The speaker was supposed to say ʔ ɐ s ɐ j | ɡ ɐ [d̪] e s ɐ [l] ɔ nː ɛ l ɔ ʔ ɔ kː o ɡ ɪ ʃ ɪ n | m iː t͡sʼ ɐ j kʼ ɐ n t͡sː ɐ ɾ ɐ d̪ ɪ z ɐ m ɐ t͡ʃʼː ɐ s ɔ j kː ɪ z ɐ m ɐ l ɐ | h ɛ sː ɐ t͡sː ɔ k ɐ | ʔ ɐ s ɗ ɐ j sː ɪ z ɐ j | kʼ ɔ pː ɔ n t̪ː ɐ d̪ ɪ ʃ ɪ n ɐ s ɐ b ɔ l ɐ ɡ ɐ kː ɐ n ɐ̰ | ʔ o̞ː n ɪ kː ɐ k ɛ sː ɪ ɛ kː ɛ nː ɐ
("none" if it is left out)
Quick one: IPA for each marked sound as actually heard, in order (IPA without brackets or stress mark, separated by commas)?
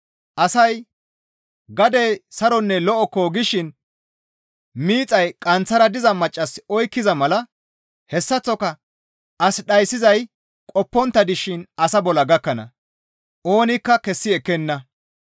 d̪, ɾ